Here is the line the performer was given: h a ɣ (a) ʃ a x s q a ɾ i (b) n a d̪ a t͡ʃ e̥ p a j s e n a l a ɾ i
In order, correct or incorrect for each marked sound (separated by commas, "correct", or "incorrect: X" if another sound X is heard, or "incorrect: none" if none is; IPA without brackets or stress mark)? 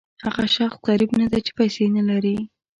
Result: correct, correct